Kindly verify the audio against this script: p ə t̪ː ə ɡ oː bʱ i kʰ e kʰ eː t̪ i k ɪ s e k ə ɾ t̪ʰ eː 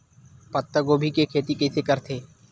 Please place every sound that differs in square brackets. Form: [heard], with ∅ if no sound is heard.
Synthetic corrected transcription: p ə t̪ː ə ɡ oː bʱ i [k] e kʰ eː t̪ i k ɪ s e k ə ɾ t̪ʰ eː